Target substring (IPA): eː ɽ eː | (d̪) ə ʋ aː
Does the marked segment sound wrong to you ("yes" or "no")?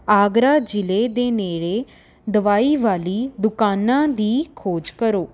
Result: no